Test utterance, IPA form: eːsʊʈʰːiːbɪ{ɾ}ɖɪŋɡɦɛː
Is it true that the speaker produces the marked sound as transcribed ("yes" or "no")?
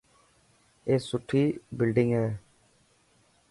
no